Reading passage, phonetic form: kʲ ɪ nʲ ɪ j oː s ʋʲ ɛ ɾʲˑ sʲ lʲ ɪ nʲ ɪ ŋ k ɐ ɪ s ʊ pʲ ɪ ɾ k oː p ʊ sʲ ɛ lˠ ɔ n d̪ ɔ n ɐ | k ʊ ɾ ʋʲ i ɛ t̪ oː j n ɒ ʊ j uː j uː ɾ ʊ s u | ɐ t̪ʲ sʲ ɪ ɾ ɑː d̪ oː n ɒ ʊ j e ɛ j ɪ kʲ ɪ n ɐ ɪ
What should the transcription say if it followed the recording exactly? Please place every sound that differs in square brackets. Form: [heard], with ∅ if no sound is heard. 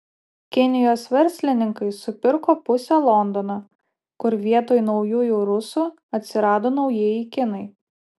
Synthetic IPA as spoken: kʲ ɪ nʲ ɪ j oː s ʋʲ ɛ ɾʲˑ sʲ lʲ ɪ nʲ ɪ ŋ k ɐ ɪ s ʊ pʲ ɪ ɾ k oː p ʊ sʲ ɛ lˠ ɔ n d̪ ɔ n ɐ | k ʊ ɾ ʋʲ i ɛ t̪ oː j n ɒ ʊ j uː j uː ɾ ʊ s u | ɐ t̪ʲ sʲ ɪ ɾ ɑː d̪ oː n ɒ ʊ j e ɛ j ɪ kʲ ɪ n ɐ ɪ